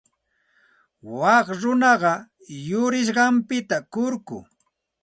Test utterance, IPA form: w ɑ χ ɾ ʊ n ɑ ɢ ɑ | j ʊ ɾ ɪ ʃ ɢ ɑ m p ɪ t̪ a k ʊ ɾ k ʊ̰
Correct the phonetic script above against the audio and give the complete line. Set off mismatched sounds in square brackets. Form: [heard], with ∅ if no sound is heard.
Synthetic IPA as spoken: w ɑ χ ɾ ʊ n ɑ ɢ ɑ | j ʊ ɾ ɪ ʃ ɢ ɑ m p ɪ t̪ a k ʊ ɾ k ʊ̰